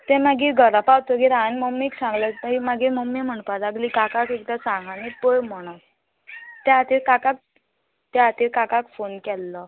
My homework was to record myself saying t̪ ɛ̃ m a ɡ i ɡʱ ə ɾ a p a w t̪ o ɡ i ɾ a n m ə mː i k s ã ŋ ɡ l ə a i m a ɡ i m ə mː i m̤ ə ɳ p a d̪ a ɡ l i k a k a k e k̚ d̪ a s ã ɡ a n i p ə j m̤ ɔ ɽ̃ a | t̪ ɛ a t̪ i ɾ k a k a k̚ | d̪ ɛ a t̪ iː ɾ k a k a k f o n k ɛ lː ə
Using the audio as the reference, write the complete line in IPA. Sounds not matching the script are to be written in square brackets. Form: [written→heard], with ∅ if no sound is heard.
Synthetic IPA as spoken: t̪ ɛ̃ m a ɡ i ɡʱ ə ɾ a p a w t̪ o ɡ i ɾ a n m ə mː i k s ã ŋ ɡ l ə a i m a ɡ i m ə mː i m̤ ə ɳ p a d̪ a ɡ l i k a k a k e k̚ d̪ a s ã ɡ a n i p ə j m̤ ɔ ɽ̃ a | t̪ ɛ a t̪ i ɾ k a k a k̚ | [d̪→t̪] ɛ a t̪ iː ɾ k a k a k f o n k ɛ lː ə